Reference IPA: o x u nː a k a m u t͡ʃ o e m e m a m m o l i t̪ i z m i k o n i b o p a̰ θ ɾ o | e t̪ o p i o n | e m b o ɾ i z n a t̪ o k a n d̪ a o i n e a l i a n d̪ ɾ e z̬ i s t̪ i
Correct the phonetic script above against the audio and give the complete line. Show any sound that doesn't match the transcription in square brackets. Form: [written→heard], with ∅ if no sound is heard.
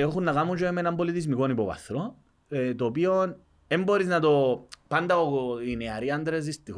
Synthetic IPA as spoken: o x u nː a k a m u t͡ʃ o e m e [m→n] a m [m→b] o l i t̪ i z m i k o n i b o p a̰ θ ɾ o | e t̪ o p i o n | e m b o ɾ i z n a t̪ o [k→p] a n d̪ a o i n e a [l→ɾ] i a n d̪ ɾ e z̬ i s t̪ i